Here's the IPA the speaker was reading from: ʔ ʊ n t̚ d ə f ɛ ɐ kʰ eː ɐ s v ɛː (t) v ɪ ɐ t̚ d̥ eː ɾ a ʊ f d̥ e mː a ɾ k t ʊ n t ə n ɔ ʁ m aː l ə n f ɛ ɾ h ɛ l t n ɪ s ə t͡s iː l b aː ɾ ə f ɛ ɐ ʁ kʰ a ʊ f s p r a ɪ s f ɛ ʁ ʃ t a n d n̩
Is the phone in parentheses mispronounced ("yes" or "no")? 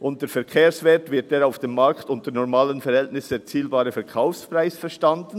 no